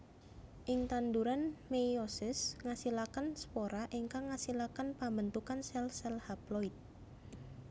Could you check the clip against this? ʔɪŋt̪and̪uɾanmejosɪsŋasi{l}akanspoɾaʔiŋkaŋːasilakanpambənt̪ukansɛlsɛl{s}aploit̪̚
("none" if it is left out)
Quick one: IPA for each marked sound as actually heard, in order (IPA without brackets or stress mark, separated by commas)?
l, h